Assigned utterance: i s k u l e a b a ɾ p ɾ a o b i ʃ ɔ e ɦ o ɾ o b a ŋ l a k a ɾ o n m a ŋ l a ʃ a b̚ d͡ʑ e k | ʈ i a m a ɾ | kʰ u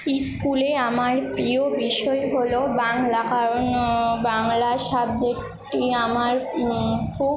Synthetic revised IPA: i s k u l e a m a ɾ p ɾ i o b i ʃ ɔ e ɦ o l o b a ŋ l a k a ɾ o n b a ŋ l a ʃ a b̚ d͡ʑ e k | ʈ i a m a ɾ | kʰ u